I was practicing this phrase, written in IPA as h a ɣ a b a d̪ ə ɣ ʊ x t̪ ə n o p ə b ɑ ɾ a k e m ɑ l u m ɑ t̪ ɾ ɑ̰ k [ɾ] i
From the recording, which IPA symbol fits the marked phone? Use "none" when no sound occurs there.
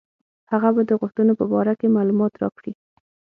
ɽ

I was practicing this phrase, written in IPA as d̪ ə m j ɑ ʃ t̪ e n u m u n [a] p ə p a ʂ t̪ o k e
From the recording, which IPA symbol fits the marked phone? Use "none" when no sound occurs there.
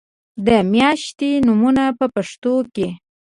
a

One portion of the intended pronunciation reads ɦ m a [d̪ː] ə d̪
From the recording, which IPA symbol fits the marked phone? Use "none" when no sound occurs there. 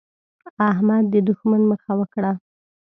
d̪ː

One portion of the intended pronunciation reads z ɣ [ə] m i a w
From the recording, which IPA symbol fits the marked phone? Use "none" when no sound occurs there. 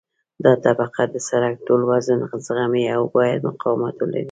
a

